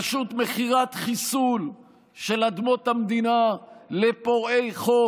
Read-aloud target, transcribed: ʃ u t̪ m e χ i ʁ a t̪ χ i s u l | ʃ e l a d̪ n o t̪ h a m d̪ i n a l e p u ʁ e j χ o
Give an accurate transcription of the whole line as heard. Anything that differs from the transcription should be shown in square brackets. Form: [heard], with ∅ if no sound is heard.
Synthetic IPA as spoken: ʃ u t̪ m e χ i ʁ a t̪ χ i s u l | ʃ e l a d̪ [m] o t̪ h a m d̪ i n a l e p [o] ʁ e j χ o